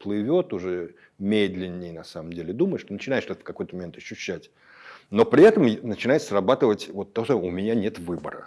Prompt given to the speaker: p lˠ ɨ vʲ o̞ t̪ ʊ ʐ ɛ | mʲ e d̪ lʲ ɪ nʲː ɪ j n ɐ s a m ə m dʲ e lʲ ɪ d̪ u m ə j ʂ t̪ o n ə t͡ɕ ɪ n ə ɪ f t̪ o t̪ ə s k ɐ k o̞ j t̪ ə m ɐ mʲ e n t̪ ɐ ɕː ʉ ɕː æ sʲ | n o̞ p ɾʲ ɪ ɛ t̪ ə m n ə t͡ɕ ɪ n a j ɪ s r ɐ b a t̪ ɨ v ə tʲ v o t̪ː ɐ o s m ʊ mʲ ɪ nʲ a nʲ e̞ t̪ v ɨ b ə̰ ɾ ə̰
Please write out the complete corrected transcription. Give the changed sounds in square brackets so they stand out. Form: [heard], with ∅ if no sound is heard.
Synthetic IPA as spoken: p lˠ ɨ vʲ o̞ t̪ ʊ ʐ ɛ | mʲ e d̪ lʲ ɪ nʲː ɪ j n ɐ s a m ə m dʲ e lʲ ɪ d̪ u m ə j ʂ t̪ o n ə t͡ɕ ɪ n [a] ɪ [ʂ] t̪ o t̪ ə [f] k ɐ k o̞ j t̪ ə m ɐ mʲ e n t̪ ɐ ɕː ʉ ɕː æ [tʲ] | n o̞ p ɾʲ ɪ ɛ t̪ ə m n ə t͡ɕ ɪ n a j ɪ s r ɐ b a t̪ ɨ v ə tʲ v o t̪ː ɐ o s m ʊ mʲ ɪ nʲ a nʲ e̞ t̪ v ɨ b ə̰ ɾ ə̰

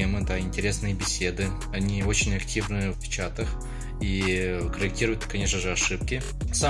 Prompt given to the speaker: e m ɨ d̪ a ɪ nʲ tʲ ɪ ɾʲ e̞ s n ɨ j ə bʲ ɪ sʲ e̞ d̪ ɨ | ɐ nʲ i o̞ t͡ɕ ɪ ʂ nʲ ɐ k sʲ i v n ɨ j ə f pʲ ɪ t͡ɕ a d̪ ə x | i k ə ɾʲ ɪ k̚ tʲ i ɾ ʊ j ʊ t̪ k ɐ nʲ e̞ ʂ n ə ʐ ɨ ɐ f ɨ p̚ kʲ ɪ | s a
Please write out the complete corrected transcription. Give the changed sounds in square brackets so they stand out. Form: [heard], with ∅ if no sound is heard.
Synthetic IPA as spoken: e m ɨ d̪ a ɪ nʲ tʲ ɪ ɾʲ e̞ s n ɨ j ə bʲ ɪ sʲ e̞ d̪ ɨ | ɐ nʲ i o̞ t͡ɕ ɪ [∅] nʲ ɐ k [tʲ] i v n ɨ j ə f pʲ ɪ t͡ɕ a [t̪] ə x | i k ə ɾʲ ɪ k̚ tʲ i ɾ ʊ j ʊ t̪ k ɐ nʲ e̞ ʂ n ə ʐ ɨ ɐ [ʂ] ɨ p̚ kʲ ɪ | s a

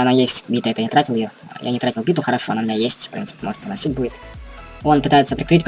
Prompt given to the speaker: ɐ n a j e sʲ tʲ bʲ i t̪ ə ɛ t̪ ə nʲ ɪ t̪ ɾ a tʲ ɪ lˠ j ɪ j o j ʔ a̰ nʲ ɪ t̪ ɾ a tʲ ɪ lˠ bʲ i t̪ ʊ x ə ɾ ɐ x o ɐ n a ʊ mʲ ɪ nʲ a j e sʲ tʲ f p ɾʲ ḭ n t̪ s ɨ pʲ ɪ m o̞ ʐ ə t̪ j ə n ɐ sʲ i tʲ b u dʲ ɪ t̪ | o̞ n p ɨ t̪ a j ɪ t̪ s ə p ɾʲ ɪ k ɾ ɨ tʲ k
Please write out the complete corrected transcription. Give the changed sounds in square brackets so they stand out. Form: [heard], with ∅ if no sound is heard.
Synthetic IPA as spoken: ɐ n a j e sʲ tʲ bʲ i t̪ ə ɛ t̪ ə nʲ ɪ t̪ ɾ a tʲ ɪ lˠ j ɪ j o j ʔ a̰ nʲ ɪ t̪ ɾ a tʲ ɪ lˠ bʲ i t̪ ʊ x ə ɾ ɐ [ʂ] o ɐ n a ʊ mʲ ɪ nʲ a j e sʲ tʲ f p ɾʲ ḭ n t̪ s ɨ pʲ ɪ m o̞ ʐ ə t̪ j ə n ɐ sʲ i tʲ b u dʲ ɪ t̪ | o̞ n p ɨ t̪ a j ɪ t̪ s ə p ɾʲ ɪ k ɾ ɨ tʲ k

